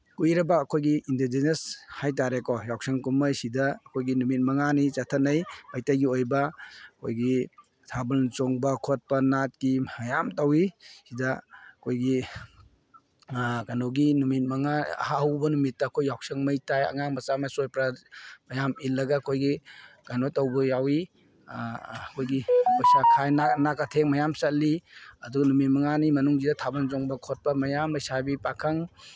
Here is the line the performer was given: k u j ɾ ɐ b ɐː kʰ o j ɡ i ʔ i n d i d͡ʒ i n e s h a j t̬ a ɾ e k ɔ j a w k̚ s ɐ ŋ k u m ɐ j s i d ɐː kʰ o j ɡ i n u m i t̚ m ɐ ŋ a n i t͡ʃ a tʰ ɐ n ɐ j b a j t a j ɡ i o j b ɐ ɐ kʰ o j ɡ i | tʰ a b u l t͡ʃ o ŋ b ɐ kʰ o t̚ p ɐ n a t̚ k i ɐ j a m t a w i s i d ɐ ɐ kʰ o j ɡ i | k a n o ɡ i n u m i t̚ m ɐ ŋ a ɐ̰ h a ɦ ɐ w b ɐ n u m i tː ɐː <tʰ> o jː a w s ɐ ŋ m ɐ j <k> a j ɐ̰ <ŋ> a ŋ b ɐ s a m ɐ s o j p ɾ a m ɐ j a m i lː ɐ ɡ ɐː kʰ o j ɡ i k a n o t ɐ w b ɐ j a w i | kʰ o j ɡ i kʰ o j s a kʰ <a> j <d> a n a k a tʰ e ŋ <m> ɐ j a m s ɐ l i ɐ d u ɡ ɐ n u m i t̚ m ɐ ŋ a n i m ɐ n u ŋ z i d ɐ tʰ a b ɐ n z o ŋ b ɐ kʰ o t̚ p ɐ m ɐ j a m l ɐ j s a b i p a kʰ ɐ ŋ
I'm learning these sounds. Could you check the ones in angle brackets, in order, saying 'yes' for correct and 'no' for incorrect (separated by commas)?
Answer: no, no, yes, yes, no, yes